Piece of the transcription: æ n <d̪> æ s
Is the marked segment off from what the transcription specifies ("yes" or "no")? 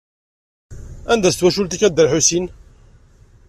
no